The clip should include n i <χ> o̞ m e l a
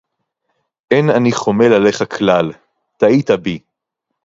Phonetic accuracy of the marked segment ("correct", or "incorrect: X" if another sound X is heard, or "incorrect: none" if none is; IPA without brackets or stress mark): correct